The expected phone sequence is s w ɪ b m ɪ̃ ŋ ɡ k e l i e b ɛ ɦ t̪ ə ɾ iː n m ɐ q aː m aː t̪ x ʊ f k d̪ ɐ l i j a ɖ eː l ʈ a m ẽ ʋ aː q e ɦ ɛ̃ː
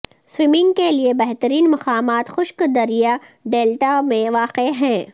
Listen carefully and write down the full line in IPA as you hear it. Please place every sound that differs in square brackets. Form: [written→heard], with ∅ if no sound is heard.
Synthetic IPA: s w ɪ [b→∅] m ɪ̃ ŋ ɡ k e l i e b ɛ ɦ t̪ ə ɾ iː n m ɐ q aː m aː t̪ x ʊ [f→ʃ] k d̪ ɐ [l→ɾ] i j a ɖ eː l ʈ a m ẽ ʋ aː q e ɦ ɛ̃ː